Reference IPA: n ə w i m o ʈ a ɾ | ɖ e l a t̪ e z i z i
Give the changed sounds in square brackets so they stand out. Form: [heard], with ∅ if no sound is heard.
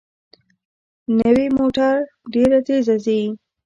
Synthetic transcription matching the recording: n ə w i m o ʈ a ɾ | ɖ e [ɾ] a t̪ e z [a] z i